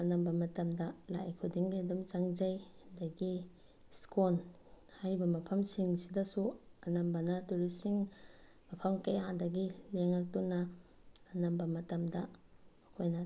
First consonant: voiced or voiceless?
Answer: voiced